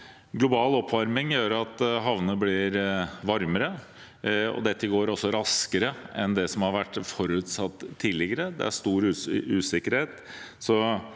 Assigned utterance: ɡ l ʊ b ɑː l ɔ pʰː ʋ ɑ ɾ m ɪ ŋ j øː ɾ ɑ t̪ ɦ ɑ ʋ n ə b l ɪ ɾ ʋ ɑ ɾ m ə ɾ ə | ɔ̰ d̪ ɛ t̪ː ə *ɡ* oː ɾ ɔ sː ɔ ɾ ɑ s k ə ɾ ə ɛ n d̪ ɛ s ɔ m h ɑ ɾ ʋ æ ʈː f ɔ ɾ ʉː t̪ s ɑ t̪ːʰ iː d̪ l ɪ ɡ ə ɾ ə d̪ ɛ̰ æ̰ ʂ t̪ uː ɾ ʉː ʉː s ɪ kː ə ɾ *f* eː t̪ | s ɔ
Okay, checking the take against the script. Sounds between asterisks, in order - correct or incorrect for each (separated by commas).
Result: correct, incorrect